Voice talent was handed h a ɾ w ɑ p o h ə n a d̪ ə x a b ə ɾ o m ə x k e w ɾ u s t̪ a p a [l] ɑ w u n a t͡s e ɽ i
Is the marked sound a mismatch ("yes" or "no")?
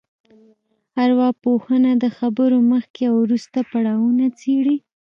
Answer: yes